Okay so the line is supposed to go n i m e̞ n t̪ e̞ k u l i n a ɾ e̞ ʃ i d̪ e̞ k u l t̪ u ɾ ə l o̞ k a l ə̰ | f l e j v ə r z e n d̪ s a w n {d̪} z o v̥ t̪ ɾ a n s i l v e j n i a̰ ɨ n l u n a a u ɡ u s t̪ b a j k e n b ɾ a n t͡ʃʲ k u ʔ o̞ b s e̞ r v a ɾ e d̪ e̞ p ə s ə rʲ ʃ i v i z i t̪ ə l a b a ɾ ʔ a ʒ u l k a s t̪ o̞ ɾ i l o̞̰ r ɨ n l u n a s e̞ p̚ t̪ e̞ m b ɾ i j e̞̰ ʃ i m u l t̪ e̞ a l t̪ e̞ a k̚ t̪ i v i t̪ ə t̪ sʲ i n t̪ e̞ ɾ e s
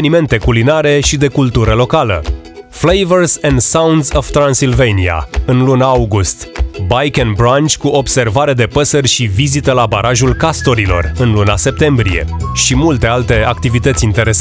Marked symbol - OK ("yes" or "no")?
yes